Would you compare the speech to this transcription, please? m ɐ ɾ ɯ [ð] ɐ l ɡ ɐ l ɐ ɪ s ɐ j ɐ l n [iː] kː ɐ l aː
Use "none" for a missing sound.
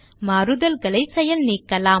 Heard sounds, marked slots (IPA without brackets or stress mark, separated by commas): ð, iː